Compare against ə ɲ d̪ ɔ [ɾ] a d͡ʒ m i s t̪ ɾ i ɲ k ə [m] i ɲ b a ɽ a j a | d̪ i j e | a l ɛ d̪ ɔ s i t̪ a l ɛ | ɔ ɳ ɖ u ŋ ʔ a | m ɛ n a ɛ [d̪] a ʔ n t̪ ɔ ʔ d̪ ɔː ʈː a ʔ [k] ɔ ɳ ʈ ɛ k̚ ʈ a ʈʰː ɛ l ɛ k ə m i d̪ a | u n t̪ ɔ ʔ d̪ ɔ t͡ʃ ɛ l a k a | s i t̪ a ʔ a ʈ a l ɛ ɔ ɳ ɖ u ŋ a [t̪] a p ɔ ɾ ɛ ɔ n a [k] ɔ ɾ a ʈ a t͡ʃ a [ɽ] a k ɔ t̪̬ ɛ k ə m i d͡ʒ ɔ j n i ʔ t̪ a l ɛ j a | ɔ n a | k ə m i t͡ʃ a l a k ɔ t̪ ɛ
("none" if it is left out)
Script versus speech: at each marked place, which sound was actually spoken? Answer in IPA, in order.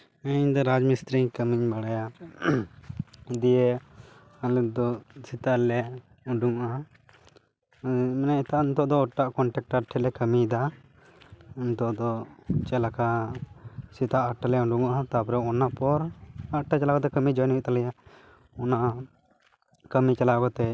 ɾ, m, t̪, k, t̪, p, l

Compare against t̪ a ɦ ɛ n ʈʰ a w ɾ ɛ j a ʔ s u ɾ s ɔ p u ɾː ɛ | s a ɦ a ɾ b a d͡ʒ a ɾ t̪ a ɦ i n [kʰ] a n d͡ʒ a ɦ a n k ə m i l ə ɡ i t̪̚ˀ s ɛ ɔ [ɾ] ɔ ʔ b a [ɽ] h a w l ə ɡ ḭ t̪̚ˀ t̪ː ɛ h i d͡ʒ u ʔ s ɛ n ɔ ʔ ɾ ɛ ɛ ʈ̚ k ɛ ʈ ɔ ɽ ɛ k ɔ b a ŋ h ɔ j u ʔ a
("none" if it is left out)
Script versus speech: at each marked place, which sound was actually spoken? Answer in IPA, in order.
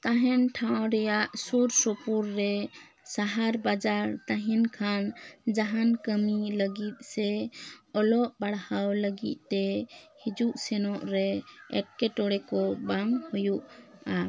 kʰ, l, ɽ

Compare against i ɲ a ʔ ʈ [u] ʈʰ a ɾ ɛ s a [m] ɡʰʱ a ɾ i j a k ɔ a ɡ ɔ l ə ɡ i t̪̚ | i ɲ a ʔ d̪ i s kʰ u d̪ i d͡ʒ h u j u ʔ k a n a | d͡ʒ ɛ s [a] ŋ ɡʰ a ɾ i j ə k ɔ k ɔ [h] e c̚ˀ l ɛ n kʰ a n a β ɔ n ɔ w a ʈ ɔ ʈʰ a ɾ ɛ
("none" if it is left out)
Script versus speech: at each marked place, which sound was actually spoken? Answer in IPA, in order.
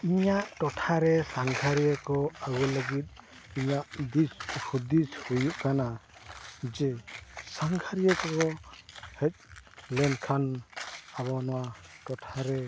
ɔ, ŋ, a, h

